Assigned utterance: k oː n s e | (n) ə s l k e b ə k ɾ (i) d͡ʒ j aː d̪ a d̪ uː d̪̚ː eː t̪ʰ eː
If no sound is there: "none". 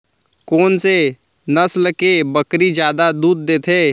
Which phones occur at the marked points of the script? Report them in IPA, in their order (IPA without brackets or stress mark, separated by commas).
n, i